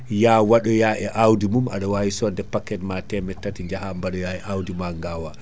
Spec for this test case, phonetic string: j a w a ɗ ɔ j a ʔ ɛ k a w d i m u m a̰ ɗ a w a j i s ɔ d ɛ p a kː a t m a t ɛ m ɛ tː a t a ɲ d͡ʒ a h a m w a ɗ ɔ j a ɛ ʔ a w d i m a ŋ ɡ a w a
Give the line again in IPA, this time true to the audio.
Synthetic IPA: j a w a ɗ ɔ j a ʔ ɛ ʔ a w d i m u m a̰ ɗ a w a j i s ɔ d ɛ p a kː ɛ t m a t ɛ m ɛ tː a t i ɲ d͡ʒ a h a m b a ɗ ɔ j a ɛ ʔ a w d i m a ŋ ɡ a w a